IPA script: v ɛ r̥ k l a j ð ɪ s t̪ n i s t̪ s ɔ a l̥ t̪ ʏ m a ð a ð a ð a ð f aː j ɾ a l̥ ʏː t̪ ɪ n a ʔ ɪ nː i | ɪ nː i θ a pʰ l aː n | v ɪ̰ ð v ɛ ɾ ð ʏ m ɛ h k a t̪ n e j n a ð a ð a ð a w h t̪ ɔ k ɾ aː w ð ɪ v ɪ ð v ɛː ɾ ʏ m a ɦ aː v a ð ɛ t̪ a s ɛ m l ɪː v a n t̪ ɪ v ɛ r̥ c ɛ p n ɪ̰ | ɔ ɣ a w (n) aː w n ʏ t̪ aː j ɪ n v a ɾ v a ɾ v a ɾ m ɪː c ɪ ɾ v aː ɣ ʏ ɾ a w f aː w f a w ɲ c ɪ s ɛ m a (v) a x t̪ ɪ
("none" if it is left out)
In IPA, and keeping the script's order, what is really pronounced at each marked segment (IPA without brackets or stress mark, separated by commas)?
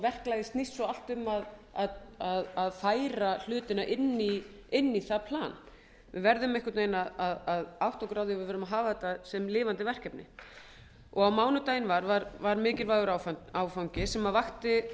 m, v